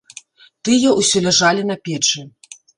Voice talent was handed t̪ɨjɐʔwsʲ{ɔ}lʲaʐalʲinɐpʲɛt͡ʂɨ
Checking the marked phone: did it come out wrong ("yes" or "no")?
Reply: no